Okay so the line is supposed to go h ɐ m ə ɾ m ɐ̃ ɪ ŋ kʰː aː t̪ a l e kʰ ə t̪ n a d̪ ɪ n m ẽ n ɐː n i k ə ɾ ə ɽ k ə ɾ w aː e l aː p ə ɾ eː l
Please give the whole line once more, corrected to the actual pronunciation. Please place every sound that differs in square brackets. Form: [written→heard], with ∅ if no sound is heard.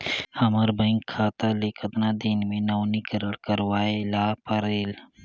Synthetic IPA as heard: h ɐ m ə ɾ [m→b] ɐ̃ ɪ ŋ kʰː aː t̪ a l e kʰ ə t̪ n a d̪ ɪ n m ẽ n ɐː n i k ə ɾ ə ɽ k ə ɾ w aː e l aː p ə ɾ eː l